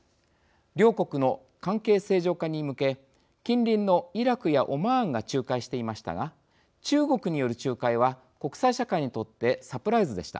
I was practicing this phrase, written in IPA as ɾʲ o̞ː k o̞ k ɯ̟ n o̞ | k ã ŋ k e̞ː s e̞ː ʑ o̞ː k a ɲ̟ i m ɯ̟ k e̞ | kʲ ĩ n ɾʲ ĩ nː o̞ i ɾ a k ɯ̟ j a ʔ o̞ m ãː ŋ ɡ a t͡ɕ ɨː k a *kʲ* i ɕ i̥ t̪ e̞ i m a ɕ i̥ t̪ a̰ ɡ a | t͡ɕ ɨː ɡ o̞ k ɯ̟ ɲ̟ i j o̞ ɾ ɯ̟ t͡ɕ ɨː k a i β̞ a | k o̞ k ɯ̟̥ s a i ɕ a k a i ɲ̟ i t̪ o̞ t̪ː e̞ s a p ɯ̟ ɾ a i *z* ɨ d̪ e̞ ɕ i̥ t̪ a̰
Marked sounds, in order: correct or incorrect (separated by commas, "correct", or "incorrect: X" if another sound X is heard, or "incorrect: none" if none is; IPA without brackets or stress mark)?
incorrect: none, correct